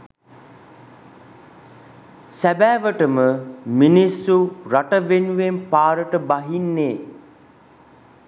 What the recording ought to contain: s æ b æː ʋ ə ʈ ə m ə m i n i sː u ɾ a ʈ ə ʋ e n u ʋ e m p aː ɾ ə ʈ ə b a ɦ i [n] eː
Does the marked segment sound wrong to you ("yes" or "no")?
yes